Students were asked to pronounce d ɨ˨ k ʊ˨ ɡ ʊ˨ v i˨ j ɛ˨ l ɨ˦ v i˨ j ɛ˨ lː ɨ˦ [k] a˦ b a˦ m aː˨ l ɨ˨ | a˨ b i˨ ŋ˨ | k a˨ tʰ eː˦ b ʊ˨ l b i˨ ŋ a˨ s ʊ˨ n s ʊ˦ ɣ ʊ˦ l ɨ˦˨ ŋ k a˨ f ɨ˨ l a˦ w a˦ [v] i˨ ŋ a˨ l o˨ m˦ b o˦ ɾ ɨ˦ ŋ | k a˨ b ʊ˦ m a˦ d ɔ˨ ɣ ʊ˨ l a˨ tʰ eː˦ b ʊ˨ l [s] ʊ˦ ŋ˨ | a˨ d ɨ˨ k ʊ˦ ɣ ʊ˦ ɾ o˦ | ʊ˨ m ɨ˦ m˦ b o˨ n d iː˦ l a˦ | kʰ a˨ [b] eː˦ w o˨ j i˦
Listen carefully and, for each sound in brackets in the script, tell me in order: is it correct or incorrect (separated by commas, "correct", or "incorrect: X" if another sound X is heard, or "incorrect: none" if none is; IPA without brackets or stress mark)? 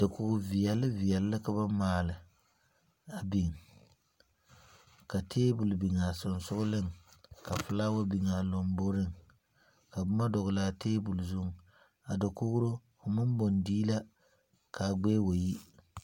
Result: correct, incorrect: b, incorrect: z, incorrect: ɡ͡b